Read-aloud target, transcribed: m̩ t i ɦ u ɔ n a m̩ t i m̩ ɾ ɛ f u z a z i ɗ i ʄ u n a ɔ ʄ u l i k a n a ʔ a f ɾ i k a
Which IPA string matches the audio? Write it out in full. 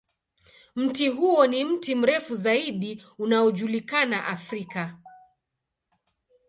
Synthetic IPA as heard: m̩ t i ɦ u ɔ n i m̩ t i m̩ ɾ ɛ f u z a i ɗ i u n a ɔ ʄ u l i k a n a ʔ a f ɾ i k a